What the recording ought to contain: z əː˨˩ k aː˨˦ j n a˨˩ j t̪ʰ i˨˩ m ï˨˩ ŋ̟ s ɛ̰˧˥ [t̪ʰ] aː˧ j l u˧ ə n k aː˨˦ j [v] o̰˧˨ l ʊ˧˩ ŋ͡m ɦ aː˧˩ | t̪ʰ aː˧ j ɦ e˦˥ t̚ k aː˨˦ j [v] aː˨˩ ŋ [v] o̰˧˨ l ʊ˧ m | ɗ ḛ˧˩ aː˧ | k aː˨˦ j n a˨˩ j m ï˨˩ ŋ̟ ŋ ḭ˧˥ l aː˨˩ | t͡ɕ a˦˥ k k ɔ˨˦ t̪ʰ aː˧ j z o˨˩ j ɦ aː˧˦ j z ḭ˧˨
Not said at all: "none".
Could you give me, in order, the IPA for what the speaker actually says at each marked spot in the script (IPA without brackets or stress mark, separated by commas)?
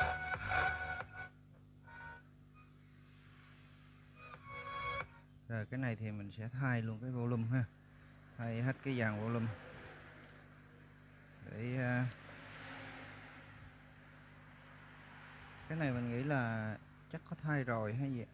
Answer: t̪ʰ, v, z, v